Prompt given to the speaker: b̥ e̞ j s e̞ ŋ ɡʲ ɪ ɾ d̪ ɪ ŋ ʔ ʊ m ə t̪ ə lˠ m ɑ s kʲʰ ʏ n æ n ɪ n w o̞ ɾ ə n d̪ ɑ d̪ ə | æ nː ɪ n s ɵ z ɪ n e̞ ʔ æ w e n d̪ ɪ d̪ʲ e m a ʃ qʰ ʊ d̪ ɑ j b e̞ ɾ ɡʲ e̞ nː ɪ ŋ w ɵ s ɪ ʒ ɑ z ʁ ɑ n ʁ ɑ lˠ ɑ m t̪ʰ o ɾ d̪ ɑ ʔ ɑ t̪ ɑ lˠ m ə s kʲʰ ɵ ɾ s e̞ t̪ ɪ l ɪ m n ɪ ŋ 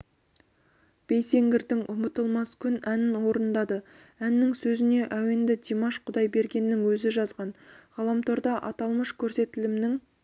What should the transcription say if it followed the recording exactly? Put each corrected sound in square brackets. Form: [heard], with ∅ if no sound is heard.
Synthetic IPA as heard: b̥ e̞ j s e̞ ŋ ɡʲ ɪ ɾ d̪ ɪ ŋ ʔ ʊ m ə t̪ ə lˠ m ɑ s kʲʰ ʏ n æ n ɪ n w o̞ ɾ ə n d̪ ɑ d̪ ə | æ nː ɪ [ŋ] s ɵ z ɪ n e̞ ʔ æ w e n d̪ ɪ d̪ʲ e m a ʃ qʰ ʊ d̪ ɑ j b e̞ ɾ ɡʲ e̞ nː ɪ ŋ w ɵ [z] ɪ ʒ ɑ z ʁ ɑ n ʁ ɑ lˠ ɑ m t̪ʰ o ɾ d̪ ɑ ʔ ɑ t̪ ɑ lˠ m ə [ʃ] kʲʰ ɵ ɾ s e̞ t̪ ɪ l ɪ m n ɪ ŋ